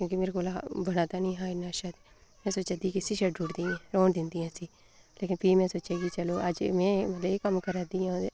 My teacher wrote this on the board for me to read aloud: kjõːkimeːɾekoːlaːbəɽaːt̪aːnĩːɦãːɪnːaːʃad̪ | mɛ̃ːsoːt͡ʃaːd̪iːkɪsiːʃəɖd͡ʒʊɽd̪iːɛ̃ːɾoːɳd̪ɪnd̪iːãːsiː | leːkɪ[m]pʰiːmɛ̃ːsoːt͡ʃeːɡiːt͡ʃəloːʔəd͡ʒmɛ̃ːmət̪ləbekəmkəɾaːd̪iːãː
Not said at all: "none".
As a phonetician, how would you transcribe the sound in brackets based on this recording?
n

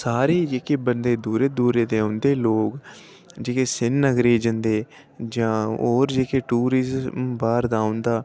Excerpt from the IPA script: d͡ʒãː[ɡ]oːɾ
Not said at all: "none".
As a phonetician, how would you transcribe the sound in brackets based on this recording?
none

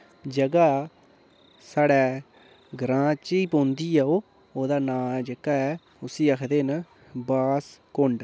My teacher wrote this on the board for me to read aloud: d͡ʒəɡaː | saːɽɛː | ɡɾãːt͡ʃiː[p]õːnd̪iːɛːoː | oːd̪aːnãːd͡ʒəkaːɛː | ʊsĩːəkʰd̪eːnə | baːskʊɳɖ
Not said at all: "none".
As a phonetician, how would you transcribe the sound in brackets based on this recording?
p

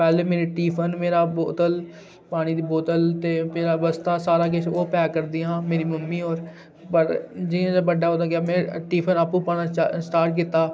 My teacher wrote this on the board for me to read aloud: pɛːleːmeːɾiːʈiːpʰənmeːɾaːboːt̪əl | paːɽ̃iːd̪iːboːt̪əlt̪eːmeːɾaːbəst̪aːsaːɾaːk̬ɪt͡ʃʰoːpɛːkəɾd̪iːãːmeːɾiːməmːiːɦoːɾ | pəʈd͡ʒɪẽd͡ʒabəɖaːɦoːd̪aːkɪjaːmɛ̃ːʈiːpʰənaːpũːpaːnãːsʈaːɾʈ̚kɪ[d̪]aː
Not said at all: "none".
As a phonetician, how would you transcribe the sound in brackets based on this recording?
t̪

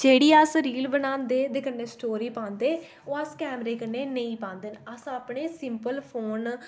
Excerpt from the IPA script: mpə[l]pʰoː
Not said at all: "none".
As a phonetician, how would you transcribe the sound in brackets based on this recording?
l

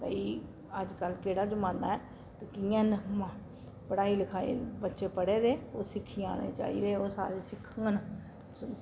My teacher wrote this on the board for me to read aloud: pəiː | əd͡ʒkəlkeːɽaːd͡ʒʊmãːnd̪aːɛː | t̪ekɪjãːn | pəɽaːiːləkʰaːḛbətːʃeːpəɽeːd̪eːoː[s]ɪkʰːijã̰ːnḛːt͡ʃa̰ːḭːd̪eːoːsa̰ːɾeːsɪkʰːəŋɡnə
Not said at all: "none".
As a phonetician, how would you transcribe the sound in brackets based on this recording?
s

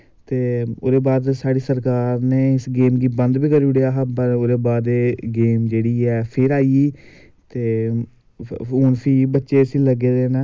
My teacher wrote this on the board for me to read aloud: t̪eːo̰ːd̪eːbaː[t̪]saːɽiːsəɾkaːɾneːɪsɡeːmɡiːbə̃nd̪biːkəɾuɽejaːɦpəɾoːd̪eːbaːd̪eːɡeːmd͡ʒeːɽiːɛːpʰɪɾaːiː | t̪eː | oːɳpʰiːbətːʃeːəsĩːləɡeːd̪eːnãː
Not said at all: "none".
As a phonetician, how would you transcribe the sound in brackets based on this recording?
d̪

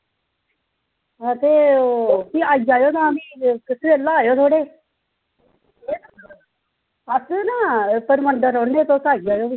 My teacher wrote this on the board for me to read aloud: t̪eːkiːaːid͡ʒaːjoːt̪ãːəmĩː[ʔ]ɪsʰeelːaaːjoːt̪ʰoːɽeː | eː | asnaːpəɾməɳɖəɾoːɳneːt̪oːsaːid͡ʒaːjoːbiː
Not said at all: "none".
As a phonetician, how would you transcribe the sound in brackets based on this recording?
k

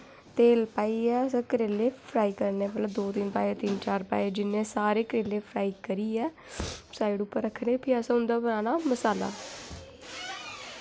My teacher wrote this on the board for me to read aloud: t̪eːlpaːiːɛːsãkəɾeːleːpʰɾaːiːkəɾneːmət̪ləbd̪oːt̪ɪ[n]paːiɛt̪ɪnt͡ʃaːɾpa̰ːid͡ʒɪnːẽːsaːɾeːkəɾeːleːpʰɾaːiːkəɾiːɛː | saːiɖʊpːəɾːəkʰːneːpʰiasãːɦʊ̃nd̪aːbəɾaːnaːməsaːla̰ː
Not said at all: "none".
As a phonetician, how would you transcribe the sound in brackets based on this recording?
n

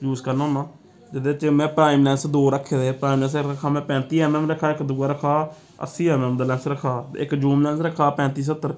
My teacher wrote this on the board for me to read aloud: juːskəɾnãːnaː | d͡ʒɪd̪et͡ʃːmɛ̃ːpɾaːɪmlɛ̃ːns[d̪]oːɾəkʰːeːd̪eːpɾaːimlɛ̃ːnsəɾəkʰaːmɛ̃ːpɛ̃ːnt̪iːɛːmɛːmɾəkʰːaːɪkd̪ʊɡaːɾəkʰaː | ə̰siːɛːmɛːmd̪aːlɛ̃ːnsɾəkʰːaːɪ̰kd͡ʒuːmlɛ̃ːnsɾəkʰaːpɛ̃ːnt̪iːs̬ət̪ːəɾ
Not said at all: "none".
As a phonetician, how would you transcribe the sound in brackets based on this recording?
d̪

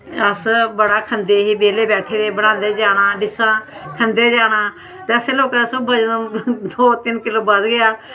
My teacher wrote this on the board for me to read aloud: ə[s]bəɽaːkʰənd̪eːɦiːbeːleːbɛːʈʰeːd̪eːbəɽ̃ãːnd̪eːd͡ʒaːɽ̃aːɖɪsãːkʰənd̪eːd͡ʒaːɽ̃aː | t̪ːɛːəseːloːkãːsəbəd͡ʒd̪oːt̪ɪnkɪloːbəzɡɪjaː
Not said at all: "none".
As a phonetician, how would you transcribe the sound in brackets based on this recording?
s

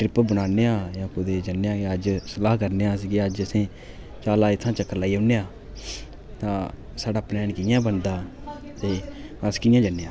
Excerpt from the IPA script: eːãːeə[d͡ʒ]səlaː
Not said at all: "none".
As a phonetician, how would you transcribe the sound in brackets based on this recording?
d͡ʒ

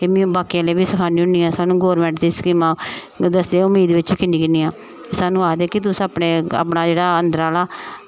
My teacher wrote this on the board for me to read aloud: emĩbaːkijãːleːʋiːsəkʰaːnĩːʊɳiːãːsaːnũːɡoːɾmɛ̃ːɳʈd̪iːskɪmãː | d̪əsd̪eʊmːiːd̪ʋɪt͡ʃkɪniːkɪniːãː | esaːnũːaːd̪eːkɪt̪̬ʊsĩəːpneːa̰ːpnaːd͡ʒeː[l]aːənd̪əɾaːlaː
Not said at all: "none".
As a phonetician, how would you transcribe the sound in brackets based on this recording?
ɽ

